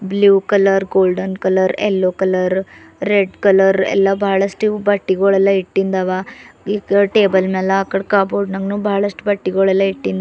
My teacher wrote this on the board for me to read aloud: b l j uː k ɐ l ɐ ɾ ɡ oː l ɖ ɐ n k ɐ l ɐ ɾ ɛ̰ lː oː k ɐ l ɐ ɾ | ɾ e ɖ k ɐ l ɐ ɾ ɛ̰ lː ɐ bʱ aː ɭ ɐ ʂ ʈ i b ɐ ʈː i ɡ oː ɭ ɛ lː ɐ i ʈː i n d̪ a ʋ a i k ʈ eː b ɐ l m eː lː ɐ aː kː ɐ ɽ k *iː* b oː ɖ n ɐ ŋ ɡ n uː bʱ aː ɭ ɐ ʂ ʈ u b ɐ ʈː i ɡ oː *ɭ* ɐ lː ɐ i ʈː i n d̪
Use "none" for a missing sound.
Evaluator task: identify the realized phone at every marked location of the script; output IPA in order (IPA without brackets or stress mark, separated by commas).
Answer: aː, ɭ